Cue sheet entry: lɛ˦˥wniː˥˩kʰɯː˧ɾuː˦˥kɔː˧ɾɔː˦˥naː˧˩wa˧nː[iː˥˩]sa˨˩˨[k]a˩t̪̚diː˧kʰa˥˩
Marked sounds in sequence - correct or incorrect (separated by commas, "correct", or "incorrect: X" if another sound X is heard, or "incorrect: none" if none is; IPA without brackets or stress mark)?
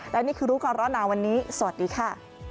incorrect: iː˦˥, incorrect: none